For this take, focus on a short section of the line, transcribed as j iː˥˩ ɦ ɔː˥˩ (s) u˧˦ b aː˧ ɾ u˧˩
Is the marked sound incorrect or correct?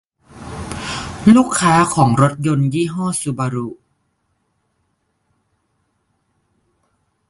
correct